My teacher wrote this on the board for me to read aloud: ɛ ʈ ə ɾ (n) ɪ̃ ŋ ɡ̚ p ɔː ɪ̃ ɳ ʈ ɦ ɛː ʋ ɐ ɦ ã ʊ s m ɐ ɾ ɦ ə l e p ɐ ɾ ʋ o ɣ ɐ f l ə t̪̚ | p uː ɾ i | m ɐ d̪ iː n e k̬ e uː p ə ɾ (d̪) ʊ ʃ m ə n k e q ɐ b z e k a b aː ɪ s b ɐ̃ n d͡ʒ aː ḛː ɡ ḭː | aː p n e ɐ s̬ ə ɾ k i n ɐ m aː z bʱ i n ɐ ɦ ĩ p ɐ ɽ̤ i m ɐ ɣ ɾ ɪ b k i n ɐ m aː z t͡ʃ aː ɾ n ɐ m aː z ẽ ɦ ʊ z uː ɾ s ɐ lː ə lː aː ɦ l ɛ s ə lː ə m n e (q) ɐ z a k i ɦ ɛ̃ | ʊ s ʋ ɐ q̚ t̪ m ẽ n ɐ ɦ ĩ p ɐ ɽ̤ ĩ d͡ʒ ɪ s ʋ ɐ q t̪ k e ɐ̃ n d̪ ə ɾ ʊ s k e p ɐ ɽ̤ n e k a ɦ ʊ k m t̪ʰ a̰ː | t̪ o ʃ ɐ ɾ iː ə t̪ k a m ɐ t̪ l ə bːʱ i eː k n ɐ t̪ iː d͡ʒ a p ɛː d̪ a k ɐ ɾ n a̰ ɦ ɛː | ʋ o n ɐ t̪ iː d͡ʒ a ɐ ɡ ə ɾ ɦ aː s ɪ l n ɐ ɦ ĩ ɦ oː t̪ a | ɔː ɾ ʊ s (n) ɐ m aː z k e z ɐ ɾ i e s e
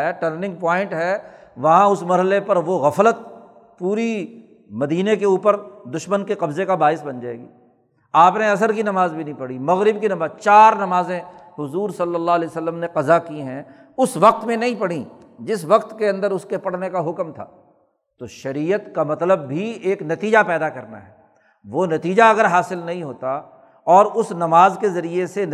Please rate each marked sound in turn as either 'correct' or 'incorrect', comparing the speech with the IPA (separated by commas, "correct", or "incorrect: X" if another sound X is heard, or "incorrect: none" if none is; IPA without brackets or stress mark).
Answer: correct, correct, correct, correct